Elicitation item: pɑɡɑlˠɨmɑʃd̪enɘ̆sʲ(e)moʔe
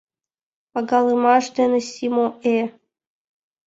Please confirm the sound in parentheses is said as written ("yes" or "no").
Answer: no